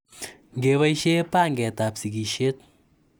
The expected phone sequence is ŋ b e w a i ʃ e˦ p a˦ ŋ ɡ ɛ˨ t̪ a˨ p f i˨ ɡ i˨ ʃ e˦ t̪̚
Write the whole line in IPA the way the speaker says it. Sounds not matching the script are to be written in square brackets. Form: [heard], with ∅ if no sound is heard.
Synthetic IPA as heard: ŋ [ɡ] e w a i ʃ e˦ p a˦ ŋ ɡ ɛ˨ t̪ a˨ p [s] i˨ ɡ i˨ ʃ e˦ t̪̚